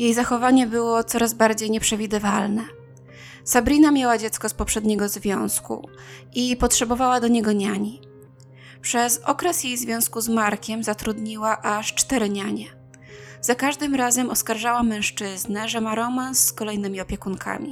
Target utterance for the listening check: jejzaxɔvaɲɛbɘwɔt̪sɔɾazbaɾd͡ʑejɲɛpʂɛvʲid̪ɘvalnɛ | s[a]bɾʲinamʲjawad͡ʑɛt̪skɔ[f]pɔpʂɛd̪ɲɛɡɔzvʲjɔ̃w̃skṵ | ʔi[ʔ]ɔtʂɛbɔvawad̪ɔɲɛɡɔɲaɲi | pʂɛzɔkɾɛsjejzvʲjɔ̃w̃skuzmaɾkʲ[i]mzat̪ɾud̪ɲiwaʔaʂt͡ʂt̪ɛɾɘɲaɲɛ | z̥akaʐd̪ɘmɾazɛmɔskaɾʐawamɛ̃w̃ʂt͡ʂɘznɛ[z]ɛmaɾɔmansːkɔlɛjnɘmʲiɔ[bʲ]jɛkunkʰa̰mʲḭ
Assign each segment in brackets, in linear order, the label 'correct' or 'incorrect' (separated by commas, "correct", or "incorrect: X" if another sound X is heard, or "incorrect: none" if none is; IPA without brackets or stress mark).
correct, incorrect: s, incorrect: p, incorrect: ɛ, incorrect: ʐ, incorrect: pʲ